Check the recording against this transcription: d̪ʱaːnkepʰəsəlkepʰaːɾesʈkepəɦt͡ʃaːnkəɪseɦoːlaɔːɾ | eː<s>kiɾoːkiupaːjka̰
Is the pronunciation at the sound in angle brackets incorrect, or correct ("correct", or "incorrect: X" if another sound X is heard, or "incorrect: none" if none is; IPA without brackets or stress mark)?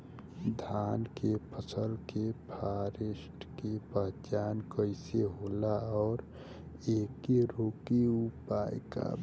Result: incorrect: none